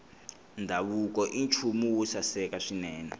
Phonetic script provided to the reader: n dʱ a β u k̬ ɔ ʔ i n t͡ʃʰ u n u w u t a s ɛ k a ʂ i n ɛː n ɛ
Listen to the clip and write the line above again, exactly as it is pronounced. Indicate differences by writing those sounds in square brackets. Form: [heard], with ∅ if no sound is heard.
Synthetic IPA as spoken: n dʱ a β u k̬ ɔ ʔ i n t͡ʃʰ u [m] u w u [s] a s ɛ k a ʂ i n ɛː n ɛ